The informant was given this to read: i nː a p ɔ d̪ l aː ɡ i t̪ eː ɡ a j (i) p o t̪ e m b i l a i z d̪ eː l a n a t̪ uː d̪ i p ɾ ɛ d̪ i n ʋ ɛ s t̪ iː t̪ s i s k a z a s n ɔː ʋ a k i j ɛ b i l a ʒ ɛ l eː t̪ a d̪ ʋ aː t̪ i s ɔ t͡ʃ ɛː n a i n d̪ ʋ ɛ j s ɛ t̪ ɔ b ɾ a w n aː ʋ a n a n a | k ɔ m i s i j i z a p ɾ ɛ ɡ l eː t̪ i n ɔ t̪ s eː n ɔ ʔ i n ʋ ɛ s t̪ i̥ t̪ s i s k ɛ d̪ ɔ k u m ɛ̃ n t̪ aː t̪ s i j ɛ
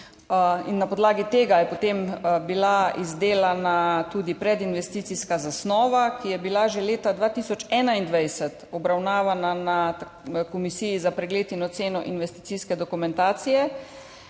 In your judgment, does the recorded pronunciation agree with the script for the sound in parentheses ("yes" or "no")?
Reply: no